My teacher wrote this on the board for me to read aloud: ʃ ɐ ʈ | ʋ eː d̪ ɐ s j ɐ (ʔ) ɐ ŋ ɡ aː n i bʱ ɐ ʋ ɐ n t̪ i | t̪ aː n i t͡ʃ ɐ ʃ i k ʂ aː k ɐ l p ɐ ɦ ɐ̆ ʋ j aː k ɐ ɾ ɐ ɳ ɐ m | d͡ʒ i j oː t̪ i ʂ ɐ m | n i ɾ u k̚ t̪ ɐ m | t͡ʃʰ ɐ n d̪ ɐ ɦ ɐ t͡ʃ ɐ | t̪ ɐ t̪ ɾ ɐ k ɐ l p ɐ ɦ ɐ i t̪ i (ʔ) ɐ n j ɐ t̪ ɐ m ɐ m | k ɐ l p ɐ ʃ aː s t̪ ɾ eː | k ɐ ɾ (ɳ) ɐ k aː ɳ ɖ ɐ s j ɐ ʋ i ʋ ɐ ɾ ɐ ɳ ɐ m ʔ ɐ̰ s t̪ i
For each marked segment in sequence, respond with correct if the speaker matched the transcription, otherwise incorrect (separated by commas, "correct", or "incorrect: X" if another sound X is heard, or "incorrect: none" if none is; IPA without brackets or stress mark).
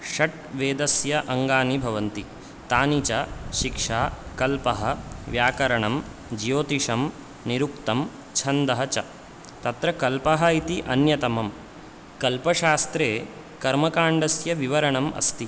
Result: correct, correct, incorrect: m